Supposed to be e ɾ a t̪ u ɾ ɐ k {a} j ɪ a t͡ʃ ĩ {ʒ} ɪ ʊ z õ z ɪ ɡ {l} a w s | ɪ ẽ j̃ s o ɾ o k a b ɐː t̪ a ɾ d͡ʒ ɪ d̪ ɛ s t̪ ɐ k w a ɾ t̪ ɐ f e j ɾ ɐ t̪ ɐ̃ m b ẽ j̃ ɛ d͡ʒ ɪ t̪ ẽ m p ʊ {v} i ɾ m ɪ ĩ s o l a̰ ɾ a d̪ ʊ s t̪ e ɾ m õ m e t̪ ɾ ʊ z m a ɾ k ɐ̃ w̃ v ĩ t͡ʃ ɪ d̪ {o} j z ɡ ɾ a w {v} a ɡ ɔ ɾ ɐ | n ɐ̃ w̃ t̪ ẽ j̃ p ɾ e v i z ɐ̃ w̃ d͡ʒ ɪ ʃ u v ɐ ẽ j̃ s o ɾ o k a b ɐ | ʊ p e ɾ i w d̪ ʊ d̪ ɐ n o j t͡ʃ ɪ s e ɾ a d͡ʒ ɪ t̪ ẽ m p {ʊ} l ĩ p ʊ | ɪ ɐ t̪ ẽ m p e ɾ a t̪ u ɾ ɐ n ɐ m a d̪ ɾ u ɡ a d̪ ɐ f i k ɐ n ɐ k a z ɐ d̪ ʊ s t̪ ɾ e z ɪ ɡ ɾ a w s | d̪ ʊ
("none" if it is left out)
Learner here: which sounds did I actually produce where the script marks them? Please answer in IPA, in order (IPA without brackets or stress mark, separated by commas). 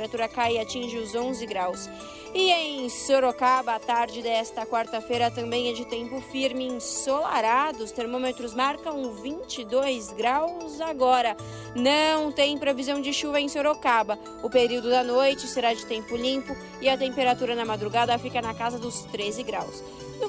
a, ʒ, ɾ, f, o, z, ʊ